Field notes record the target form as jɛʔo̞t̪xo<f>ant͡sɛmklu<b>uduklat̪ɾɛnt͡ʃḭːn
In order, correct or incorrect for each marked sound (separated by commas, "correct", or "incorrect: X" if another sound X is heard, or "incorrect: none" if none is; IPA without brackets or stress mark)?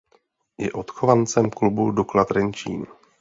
incorrect: v, correct